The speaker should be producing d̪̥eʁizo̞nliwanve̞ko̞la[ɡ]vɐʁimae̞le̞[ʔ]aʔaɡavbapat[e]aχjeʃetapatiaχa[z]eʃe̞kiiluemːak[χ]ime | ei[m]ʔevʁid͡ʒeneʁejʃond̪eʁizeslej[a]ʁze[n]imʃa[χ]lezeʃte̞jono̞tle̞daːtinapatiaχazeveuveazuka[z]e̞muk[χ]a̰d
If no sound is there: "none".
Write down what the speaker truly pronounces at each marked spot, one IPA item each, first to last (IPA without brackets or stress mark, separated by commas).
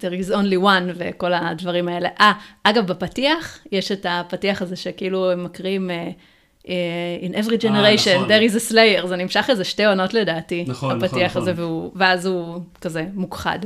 d, ʔ, i, z, ʁ, n, e, n, χ, z, χ